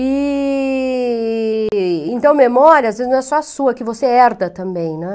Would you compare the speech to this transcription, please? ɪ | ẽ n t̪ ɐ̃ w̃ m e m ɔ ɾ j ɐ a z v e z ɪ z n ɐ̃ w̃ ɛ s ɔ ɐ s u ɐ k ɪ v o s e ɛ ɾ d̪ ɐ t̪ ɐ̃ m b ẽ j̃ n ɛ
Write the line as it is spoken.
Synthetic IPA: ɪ | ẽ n t̪ ɐ̃ w̃ m e m ɔ ɾ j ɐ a z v e z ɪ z n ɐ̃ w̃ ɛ s ɔ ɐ s u ɐ k ɪ v o s e ɛ ɾ d̪ ɐ t̪ ɐ̃ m b ẽ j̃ n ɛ